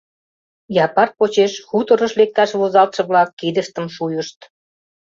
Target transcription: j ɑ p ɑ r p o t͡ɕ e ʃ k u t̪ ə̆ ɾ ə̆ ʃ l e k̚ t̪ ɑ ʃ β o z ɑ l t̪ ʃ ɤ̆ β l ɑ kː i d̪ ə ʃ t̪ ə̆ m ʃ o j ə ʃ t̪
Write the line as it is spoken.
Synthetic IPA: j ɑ p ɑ r p o t͡ɕ e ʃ x u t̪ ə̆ ɾ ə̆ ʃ l e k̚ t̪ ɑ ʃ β o z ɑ l t̪ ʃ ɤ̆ β l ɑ kː i d̪ ə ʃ t̪ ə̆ m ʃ u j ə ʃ t̪